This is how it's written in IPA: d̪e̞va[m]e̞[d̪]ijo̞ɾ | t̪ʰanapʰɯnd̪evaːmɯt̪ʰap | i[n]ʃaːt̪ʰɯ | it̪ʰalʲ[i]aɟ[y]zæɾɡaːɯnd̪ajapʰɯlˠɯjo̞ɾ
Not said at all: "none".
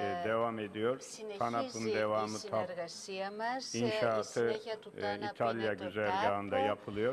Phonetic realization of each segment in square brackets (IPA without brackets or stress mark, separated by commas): m, d̪, n, j, y